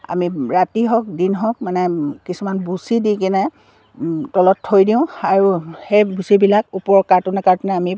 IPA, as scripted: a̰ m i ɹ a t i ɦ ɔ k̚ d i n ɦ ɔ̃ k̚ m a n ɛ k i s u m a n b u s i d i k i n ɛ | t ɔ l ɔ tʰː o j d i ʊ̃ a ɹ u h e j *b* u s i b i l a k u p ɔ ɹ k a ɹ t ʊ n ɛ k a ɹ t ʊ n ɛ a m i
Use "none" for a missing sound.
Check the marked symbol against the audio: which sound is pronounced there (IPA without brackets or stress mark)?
b